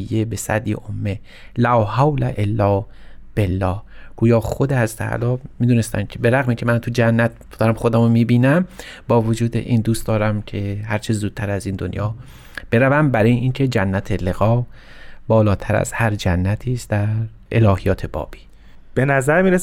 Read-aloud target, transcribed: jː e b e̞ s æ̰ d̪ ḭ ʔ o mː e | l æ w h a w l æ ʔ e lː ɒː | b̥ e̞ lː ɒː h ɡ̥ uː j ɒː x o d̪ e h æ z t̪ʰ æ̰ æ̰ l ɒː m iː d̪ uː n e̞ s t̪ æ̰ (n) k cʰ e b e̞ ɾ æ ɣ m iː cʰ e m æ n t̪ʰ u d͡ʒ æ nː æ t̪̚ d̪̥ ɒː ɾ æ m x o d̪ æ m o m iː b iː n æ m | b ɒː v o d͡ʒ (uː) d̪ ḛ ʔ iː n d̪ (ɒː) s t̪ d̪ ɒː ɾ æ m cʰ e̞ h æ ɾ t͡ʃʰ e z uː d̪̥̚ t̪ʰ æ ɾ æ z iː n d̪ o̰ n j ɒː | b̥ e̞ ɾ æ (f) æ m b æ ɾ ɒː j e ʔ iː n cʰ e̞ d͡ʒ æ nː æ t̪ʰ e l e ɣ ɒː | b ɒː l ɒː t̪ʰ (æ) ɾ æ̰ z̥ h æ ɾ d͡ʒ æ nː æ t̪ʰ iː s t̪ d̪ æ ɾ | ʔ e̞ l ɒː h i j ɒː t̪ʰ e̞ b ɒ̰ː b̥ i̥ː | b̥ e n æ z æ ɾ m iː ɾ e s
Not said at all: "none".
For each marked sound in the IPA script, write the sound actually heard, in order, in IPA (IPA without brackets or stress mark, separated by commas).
n, uː, uː, v, æ